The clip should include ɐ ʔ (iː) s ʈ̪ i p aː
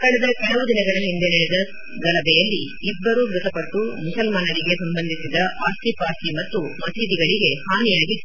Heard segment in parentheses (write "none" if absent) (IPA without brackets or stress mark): aː